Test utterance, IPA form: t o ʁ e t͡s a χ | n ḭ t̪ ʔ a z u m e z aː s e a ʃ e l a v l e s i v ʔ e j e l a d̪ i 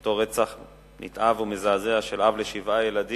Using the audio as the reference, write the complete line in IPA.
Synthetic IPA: t o ʁ e t͡s a χ | n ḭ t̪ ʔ a v u m e z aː z e a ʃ e l a v l e ʃ i v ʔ a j e l a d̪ i